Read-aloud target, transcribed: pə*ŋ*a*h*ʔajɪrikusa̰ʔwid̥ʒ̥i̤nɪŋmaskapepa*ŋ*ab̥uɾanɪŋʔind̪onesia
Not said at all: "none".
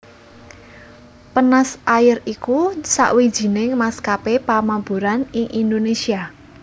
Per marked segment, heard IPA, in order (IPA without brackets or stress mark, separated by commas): n, s, m